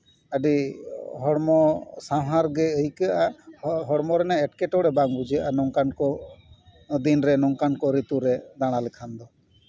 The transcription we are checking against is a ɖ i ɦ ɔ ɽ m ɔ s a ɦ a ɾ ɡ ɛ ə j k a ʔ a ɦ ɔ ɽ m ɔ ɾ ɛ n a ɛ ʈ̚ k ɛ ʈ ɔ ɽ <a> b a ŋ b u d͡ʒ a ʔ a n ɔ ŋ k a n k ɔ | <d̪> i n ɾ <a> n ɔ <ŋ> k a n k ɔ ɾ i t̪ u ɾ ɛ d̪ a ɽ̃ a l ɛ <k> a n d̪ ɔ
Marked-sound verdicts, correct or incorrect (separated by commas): incorrect, correct, incorrect, correct, incorrect